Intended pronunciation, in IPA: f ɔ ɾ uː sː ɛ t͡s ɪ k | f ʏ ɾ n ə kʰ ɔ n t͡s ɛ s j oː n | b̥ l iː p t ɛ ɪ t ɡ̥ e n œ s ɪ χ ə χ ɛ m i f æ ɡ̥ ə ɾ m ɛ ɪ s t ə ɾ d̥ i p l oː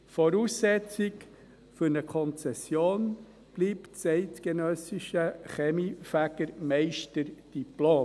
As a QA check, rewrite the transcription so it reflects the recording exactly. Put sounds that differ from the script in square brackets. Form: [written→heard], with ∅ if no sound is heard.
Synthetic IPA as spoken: f ɔ ɾ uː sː ɛ t͡s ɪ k | f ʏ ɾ n ə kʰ ɔ n t͡s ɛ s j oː n | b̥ l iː p [t→t͡s] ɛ ɪ t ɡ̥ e n œ s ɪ [χ→ʃ] ə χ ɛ m i f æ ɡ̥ ə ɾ m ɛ ɪ [s→ʃ] t ə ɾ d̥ i p l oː